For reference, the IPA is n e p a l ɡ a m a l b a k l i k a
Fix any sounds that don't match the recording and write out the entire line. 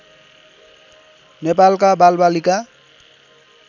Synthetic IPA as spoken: n e p a l k a b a l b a l i k a